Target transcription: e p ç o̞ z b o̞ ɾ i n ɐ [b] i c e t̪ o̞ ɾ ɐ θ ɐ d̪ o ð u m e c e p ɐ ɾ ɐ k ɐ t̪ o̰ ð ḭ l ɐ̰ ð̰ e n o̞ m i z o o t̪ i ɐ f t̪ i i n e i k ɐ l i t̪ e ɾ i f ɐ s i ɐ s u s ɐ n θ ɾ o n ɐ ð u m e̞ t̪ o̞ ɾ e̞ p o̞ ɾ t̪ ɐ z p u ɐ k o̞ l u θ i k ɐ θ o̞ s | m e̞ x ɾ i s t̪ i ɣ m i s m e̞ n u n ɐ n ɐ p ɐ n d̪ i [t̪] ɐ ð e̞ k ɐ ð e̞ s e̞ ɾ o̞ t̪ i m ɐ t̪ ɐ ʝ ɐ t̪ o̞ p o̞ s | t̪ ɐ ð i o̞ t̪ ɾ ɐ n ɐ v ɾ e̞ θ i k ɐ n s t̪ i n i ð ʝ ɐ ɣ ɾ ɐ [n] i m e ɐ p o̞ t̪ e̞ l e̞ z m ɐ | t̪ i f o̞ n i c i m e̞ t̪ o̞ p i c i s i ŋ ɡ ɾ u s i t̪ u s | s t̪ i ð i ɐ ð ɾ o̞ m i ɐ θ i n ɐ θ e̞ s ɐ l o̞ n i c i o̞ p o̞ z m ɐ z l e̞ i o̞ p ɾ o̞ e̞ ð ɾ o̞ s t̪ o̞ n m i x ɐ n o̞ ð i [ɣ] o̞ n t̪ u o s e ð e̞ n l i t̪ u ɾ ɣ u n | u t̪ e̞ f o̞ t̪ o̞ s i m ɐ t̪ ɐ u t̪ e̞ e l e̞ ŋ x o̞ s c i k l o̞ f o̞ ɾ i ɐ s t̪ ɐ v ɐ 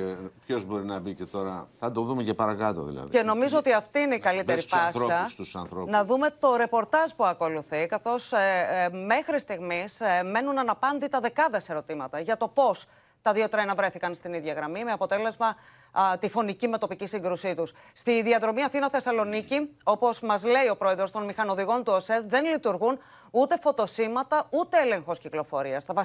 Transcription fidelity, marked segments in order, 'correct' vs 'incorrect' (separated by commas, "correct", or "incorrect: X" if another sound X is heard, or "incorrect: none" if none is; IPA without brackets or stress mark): correct, correct, incorrect: m, correct